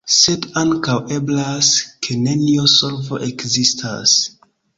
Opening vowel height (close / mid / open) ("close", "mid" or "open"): mid